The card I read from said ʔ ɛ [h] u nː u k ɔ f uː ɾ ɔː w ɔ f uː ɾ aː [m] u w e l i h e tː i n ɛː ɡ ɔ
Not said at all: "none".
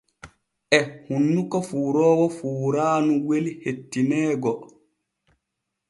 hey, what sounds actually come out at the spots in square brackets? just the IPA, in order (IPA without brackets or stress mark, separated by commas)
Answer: h, n